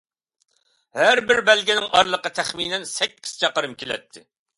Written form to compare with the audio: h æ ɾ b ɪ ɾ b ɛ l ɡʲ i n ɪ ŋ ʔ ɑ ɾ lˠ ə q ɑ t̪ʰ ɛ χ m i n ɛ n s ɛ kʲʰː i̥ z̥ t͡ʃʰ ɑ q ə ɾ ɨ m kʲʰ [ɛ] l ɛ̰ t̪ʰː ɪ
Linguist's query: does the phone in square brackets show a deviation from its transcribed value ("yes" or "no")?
yes